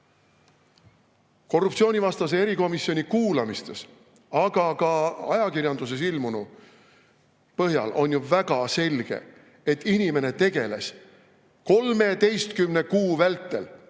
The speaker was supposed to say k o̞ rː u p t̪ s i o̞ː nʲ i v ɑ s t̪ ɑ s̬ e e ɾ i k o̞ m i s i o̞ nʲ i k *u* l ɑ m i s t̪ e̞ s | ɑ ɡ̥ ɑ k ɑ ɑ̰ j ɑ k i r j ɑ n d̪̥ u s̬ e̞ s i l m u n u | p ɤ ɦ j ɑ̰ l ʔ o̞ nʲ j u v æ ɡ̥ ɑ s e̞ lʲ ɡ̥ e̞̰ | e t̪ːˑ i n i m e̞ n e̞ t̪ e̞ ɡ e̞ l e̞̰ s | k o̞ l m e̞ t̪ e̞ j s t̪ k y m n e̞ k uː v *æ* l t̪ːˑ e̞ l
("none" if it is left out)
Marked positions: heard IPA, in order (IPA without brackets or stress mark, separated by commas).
uː, æ